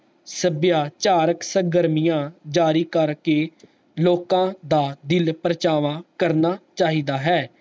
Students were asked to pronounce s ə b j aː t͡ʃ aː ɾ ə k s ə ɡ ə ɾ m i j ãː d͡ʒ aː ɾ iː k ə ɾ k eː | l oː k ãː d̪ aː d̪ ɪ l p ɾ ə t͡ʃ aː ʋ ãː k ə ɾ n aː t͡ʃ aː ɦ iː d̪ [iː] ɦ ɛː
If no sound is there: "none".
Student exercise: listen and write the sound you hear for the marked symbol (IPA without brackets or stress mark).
aː